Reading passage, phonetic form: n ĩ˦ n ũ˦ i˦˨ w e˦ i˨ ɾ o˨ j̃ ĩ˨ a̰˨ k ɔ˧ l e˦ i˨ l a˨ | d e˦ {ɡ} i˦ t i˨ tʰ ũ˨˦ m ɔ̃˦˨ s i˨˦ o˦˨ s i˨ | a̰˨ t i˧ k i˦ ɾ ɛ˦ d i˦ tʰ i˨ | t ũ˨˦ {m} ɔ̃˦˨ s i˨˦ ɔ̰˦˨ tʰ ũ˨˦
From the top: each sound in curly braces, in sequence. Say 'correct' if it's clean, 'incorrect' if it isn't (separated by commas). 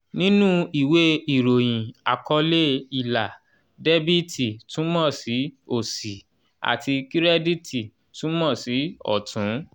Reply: incorrect, correct